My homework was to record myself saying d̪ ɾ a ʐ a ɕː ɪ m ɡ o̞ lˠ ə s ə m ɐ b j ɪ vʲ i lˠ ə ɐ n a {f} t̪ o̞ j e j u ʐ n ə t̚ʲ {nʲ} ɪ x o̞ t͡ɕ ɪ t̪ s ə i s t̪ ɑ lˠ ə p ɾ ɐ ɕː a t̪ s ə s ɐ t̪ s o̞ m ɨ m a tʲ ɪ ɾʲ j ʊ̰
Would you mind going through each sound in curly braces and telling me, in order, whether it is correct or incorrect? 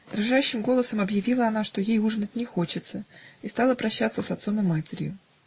incorrect: ʂ, correct

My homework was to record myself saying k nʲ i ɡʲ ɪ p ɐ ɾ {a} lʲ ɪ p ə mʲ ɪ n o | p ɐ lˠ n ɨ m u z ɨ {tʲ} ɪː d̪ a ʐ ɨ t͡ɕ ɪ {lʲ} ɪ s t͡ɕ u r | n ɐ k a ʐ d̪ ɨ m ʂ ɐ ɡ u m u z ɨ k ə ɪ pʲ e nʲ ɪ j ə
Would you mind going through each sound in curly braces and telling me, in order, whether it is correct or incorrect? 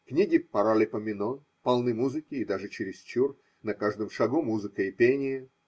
correct, incorrect: kʲ, incorrect: ɾʲ

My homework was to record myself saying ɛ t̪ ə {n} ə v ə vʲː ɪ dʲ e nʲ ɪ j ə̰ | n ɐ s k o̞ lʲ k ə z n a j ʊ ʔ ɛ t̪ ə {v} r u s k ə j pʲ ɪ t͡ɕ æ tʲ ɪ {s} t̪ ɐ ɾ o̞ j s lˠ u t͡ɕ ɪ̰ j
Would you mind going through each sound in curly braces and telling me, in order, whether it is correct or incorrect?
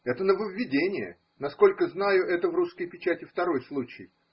correct, correct, incorrect: f

